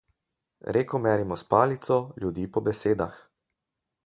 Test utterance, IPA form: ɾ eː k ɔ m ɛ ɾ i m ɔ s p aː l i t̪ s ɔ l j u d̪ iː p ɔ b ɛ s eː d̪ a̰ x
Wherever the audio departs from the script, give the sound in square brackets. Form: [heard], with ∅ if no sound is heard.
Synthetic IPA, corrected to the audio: ɾ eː k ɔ m ɛ ɾ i m ɔ s p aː l i t̪ s ɔ l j u d̪ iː p ɔ b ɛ s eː d̪ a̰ x

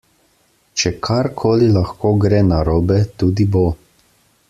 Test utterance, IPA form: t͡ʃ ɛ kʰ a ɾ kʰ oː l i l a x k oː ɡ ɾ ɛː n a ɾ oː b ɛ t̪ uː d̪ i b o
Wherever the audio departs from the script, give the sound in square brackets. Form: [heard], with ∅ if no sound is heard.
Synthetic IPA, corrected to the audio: t͡ʃ ɛ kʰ a ɾ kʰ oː l i l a x k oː ɡ ɾ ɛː n a ɾ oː b ɛ t̪ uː d̪ i b o

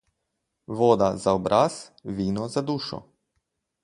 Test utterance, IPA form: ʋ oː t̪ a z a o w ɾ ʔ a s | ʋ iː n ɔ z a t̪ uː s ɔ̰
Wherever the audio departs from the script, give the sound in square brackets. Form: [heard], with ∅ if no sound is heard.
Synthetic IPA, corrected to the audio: ʋ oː [d̪] a z a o [b] ɾ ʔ a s | ʋ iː n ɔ z a [d̪] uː [ʃ] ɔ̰

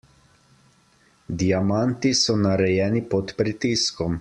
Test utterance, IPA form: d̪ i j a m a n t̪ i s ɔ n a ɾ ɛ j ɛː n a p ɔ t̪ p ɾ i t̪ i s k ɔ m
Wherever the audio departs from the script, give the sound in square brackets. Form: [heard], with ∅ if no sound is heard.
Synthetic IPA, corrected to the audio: d̪ i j a m a n t̪ i s ɔ n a ɾ ɛ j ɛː n [i] p ɔ t̪ p ɾ i t̪ i s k ɔ m

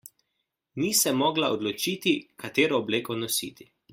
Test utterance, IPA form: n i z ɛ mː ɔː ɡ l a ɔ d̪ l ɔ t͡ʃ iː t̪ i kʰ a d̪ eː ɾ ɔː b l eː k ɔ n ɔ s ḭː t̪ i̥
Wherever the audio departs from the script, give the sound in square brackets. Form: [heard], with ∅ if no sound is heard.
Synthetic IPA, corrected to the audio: n i [s] ɛ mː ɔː ɡ l a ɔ d̪ l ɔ t͡ʃ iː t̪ i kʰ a [t̪] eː ɾ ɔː b l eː k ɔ n ɔ s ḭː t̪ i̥

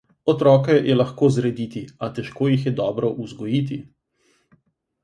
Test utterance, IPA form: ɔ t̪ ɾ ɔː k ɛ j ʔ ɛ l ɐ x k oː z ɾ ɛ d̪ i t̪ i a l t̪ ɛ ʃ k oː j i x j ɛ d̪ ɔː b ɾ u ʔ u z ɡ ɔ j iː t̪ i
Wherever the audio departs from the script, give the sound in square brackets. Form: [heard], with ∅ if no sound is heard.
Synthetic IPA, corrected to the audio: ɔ t̪ ɾ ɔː k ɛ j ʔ ɛ l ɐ x k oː z ɾ ɛ d̪ i t̪ i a [∅] t̪ ɛ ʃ k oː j i x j ɛ d̪ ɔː b ɾ [ɔ] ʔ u z ɡ ɔ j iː t̪ i

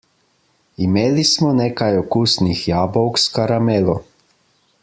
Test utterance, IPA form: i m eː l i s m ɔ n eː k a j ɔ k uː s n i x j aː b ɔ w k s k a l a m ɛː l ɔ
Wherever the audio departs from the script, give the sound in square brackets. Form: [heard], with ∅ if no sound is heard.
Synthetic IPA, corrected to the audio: i m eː l i s m ɔ n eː k a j ɔ k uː s n i x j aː b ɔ w k s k a [ɾ] a m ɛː l ɔ

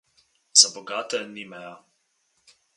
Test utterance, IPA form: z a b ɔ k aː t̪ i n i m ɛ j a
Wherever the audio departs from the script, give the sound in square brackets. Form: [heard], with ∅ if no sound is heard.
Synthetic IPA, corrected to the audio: z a b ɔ [ɡ] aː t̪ [ɛ] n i m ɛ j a

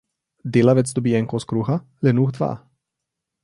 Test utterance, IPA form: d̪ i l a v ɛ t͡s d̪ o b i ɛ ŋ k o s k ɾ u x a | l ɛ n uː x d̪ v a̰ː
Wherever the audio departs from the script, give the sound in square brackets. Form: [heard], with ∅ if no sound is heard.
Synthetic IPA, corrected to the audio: d̪ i l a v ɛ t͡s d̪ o b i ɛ ŋ k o s k ɾ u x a | l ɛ n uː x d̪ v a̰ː

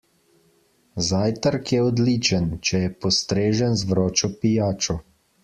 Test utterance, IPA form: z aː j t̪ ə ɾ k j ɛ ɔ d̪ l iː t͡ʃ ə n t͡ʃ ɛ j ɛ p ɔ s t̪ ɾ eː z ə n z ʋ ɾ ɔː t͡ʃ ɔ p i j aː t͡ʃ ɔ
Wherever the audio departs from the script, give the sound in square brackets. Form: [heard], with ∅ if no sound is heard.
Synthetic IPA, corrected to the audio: z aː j t̪ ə ɾ k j ɛ ɔ d̪ l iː t͡ʃ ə n t͡ʃ ɛ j ɛ p ɔ s t̪ ɾ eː [ʒ] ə n z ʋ ɾ ɔː t͡ʃ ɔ p i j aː t͡ʃ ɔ

